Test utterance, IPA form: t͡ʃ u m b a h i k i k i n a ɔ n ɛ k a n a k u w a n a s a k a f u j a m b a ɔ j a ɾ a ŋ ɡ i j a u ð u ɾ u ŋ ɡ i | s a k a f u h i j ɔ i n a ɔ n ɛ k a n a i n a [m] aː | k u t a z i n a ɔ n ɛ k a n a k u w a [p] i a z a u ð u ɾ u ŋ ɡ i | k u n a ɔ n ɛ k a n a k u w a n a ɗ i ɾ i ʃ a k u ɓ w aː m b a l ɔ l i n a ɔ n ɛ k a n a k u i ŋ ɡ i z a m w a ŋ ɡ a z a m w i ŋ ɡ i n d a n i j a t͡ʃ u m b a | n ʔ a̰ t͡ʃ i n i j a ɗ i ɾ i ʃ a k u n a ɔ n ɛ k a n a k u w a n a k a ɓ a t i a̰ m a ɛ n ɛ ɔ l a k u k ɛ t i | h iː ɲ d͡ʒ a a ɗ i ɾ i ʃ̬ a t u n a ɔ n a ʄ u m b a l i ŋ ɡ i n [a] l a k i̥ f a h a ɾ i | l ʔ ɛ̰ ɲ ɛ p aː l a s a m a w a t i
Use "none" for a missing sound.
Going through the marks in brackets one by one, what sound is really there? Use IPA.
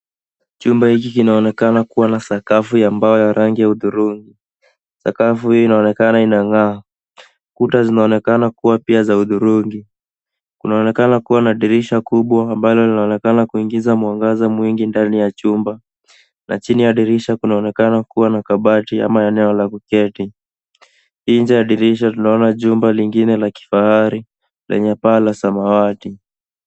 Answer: ŋ, p, ɛ

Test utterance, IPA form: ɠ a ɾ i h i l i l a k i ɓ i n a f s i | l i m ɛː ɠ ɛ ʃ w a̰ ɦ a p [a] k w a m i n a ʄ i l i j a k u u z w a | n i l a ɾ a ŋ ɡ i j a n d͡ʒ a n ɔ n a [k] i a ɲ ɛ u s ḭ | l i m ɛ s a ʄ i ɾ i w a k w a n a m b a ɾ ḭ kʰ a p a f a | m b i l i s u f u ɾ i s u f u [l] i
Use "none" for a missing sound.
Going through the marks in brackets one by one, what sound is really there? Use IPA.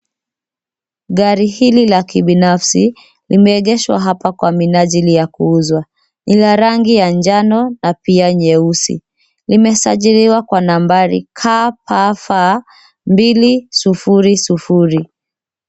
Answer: a, p, ɾ

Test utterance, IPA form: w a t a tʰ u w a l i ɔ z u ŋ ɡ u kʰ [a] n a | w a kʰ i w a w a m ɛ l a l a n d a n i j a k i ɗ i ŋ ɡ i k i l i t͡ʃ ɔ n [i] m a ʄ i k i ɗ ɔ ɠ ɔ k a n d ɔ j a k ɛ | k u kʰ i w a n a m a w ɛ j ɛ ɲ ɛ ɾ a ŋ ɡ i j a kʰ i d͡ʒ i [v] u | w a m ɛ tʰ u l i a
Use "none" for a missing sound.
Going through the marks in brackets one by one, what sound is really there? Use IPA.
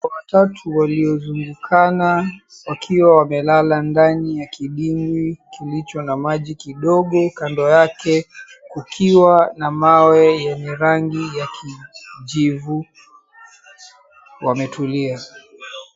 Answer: a, a, v

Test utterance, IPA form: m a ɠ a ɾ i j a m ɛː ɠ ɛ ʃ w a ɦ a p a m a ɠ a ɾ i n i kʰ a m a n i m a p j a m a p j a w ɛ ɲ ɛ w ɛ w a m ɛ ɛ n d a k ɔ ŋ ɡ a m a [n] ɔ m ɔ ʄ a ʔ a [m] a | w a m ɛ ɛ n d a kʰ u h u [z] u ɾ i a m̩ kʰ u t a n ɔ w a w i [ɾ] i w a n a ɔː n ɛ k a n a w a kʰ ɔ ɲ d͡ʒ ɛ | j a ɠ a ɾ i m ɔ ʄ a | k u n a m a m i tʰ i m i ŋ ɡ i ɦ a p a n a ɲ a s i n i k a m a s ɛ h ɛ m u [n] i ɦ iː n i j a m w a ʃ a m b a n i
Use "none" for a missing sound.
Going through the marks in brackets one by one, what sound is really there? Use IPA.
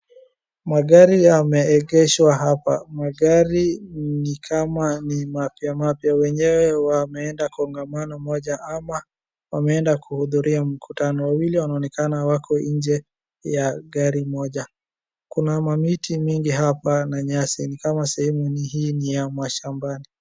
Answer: n, m, ð, l, n

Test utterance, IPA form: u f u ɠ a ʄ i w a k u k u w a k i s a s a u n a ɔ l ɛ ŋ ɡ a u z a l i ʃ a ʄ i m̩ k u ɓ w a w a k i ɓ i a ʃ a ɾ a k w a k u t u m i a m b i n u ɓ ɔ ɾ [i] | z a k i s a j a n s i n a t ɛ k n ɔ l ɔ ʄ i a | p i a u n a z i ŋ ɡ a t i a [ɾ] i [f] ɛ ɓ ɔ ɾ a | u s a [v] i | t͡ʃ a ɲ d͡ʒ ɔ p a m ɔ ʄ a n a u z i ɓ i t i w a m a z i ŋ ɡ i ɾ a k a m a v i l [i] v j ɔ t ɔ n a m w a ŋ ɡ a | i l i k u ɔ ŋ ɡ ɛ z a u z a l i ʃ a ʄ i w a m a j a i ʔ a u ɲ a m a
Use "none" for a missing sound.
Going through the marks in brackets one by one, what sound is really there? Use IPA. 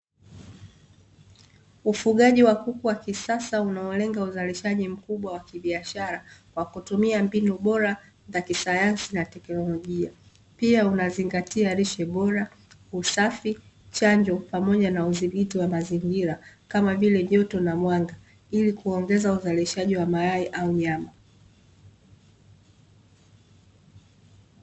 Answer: a, ɾ, ʃ, f, ɛ

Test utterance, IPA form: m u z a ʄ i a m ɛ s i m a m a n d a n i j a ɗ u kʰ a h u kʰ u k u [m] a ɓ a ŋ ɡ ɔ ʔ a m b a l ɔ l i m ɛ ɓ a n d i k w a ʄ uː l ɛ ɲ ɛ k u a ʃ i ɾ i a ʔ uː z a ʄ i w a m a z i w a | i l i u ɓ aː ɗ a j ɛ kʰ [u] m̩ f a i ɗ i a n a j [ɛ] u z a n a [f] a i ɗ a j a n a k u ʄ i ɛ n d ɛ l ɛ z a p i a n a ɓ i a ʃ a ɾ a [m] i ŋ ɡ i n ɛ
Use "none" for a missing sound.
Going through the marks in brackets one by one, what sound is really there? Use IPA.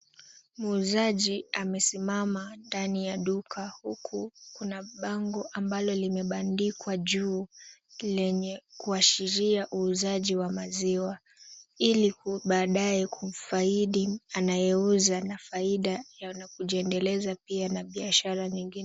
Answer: n, u, ɛ, f, ɲ

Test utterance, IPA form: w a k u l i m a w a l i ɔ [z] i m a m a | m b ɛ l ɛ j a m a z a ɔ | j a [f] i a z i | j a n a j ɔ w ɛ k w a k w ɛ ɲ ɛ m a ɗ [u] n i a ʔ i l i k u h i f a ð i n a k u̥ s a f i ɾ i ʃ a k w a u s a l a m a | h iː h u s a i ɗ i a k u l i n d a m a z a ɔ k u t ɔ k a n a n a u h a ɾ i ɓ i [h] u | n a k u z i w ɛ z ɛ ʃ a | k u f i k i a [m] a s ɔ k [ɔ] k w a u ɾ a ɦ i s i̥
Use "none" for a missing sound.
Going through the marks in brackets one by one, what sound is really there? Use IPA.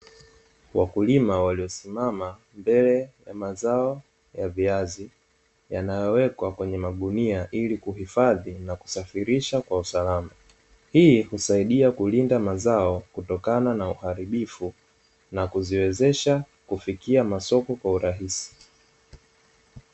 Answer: s, v, u, f, m, ɔ

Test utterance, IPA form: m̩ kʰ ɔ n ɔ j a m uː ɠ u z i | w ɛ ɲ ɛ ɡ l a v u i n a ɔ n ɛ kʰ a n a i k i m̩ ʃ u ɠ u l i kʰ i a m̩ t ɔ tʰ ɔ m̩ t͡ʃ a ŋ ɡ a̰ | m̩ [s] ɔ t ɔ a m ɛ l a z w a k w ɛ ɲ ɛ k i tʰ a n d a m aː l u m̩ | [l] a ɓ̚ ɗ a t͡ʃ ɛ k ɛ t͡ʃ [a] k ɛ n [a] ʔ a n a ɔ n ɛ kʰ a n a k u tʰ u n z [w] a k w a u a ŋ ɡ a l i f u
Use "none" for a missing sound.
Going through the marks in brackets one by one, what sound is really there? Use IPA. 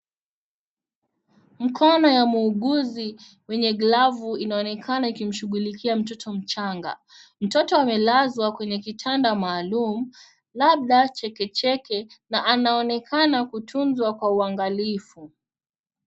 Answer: t, l, ɛ, a, w

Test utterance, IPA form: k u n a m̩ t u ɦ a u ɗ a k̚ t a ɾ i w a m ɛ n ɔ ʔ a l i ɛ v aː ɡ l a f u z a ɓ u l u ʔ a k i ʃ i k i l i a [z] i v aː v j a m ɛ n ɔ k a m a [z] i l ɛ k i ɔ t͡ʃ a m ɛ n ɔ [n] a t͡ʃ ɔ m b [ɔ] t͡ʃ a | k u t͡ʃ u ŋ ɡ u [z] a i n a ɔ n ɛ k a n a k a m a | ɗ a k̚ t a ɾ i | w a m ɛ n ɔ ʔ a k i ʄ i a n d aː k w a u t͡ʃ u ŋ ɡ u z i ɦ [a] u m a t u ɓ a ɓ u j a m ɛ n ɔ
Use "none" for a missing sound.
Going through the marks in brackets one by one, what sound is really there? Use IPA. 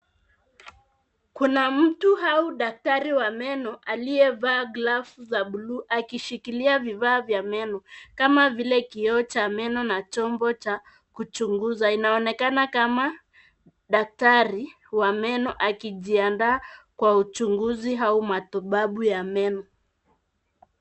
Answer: v, v, n, ɔ, z, a

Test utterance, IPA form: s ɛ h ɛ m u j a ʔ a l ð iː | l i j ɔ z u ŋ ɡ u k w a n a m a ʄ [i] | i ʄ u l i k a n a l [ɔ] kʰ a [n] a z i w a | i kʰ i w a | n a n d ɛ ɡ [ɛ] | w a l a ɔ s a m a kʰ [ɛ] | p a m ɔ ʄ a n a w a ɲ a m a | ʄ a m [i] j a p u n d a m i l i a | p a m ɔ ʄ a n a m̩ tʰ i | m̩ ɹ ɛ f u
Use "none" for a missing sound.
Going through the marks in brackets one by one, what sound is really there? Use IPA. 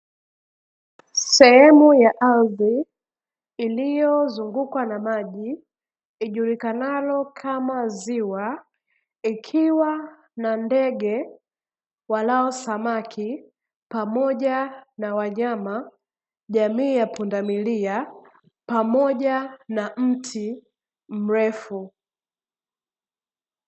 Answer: i, ɔ, m, ɛ, i, iː

